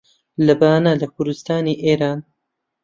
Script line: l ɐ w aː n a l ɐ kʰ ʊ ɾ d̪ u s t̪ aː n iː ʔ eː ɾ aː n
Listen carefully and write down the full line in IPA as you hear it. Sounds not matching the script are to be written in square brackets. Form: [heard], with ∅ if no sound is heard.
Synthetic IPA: l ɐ [b] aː n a l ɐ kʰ ʊ ɾ d̪ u s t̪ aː n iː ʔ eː ɾ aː n